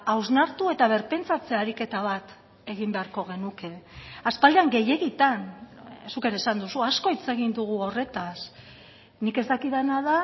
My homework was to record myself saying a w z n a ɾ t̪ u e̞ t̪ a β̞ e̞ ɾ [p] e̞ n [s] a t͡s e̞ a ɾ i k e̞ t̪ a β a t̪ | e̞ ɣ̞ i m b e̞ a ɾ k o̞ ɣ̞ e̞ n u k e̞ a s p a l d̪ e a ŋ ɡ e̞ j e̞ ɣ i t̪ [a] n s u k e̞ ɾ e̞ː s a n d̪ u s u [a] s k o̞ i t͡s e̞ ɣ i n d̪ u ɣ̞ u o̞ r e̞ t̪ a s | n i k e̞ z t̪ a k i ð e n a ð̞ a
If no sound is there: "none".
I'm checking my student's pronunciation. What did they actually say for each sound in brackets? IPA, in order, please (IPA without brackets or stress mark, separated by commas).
p, t͡s, a, a